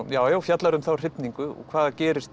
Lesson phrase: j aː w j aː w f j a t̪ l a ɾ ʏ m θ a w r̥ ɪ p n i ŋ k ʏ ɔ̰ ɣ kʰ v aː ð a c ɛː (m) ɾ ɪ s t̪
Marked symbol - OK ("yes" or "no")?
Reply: no